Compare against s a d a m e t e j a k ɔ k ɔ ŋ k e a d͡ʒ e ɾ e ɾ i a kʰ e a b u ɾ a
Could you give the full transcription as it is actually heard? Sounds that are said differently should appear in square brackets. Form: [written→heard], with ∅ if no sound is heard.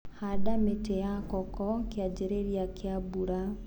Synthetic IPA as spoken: [s→h] a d a m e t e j a k ɔ k ɔ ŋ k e a d͡ʒ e ɾ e ɾ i a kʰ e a b u ɾ a